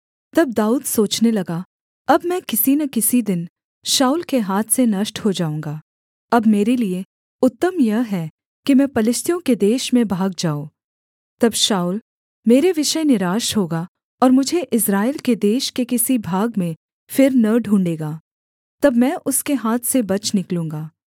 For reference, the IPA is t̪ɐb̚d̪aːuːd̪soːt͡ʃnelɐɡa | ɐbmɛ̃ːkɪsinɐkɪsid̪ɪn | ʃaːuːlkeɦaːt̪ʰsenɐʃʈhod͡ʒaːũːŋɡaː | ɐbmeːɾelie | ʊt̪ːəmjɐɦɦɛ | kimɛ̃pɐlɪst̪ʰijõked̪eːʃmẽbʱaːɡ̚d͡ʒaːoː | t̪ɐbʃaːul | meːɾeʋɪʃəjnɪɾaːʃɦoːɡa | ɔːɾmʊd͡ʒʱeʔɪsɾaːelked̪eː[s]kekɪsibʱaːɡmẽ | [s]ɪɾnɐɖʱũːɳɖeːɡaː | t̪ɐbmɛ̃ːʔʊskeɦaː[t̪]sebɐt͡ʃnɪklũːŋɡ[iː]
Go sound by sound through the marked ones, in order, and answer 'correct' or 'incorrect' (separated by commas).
incorrect, incorrect, incorrect, incorrect